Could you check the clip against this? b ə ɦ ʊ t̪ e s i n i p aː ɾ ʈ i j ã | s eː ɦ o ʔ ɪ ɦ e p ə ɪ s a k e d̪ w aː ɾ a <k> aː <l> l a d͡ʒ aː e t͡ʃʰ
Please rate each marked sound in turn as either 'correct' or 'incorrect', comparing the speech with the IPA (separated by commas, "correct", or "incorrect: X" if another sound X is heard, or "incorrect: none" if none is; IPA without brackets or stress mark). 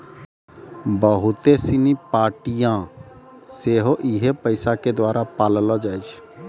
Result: incorrect: p, correct